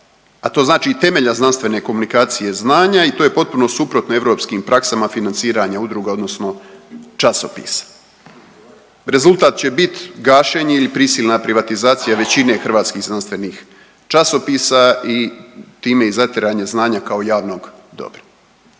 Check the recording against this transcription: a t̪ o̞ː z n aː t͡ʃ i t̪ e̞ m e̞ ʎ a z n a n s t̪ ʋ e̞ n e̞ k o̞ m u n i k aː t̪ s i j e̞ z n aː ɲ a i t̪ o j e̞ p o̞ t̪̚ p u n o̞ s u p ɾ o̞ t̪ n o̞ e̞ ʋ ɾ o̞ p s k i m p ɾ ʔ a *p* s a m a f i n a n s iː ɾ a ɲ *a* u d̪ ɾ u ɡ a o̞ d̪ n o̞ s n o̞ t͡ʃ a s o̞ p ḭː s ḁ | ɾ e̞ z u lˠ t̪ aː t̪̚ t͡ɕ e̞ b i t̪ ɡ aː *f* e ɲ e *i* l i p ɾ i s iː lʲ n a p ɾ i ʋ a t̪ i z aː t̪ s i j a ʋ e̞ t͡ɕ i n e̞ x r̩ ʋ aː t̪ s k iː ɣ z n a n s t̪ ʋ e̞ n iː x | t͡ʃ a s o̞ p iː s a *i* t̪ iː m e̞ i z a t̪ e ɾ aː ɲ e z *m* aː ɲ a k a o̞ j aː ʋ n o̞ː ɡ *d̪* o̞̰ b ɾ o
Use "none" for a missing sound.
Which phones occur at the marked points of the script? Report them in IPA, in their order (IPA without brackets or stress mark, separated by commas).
k, a, ʃ, i, i, n, d̪